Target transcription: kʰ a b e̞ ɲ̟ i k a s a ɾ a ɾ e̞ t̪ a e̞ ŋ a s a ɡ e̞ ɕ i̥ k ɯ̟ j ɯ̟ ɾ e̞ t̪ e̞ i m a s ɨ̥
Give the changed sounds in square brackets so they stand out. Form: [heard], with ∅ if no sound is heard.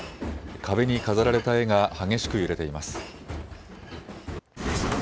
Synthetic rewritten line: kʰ a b e̞ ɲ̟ i k a [z] a ɾ a ɾ e̞ t̪ a e̞ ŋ a [h] a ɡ e̞ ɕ i̥ k ɯ̟ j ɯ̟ ɾ e̞ t̪ e̞ i m a s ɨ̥